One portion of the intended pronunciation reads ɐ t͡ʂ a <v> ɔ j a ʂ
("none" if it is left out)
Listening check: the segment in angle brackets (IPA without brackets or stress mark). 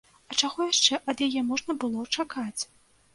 ɣ